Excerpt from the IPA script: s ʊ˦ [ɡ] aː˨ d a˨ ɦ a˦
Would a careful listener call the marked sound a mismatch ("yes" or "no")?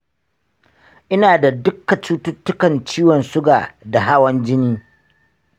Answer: no